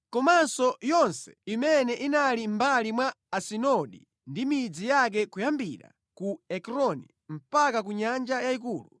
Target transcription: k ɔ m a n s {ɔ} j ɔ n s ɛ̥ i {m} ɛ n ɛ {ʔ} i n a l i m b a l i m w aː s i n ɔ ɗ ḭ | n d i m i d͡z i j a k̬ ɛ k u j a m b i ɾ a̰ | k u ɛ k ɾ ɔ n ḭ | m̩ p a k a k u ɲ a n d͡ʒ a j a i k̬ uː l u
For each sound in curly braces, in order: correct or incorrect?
correct, correct, correct

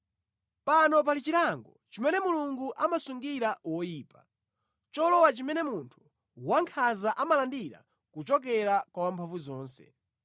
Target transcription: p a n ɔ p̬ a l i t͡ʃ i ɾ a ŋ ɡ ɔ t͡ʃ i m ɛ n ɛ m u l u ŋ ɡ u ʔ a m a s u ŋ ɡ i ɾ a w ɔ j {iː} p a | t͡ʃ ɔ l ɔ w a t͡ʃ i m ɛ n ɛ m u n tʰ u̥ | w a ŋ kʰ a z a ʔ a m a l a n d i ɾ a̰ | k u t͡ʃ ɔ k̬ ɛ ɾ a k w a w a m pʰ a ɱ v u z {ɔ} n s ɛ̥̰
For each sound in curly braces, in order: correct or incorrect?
correct, incorrect: ɔː

